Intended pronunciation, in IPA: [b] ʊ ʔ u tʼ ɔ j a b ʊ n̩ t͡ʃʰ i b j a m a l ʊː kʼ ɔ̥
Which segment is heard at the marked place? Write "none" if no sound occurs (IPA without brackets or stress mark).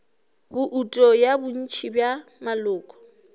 b